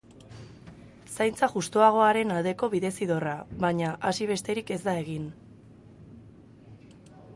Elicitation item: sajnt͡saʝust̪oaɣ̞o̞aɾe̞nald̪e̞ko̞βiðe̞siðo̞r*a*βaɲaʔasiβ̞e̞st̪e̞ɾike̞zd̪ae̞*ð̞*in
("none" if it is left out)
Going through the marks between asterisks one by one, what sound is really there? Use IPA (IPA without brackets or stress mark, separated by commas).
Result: a, ɣ̞